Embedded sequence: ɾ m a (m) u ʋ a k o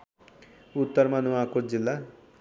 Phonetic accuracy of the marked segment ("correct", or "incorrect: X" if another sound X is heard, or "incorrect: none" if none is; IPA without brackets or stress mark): incorrect: n